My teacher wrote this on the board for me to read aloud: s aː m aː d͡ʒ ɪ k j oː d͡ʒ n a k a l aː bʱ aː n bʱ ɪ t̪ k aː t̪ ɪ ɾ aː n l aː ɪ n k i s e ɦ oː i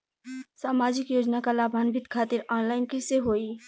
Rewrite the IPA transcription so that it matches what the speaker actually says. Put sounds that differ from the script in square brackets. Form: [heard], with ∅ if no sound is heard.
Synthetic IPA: s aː m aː d͡ʒ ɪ k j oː d͡ʒ n a k a l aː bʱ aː n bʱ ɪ t̪ [kʰ] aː t̪ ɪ ɾ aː n l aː ɪ n k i s e ɦ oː i